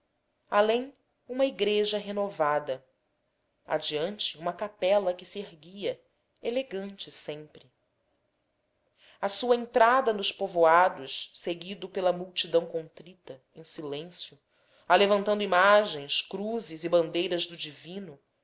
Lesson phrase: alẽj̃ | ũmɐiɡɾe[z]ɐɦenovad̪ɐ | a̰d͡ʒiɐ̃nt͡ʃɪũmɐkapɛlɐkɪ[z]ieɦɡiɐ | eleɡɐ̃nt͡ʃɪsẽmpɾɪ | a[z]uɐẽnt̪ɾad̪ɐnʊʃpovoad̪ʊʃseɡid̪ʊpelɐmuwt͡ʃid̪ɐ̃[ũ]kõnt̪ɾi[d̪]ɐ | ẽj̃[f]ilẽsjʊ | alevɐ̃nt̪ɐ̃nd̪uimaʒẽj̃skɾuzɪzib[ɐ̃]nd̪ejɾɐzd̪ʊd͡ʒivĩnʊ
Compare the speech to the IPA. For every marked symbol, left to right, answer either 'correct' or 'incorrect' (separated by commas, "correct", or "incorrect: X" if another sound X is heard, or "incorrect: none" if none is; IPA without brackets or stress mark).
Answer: incorrect: ʒ, incorrect: s, incorrect: s, incorrect: w̃, incorrect: t̪, incorrect: s, correct